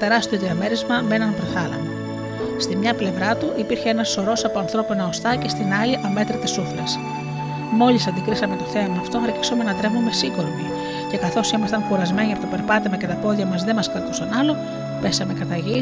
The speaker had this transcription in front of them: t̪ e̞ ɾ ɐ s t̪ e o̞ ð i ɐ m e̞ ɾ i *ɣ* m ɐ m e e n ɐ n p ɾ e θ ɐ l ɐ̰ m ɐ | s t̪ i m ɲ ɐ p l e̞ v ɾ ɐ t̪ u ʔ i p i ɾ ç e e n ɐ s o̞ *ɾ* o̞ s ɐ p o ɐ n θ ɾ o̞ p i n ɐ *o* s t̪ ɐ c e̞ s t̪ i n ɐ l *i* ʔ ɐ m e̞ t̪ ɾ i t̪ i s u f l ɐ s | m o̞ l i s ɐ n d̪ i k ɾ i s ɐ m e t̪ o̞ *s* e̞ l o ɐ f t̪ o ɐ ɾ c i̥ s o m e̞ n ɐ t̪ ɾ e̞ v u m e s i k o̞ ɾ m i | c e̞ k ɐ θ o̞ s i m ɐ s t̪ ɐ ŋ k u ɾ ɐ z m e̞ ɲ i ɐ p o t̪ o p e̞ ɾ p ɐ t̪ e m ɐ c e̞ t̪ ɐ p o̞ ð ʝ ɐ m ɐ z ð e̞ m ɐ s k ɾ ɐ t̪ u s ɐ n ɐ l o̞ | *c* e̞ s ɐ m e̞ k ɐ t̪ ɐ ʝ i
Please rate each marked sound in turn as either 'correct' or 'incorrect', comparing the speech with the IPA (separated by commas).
incorrect, correct, correct, correct, incorrect, incorrect